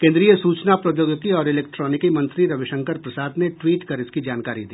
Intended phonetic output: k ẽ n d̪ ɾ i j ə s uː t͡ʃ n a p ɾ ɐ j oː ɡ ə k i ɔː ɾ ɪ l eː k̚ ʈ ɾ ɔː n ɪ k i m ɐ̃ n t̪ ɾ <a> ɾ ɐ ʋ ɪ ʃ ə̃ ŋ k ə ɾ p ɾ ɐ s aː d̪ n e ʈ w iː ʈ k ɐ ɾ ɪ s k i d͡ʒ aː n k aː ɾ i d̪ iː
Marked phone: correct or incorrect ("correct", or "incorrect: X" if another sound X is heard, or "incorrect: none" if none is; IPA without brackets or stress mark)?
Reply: incorrect: i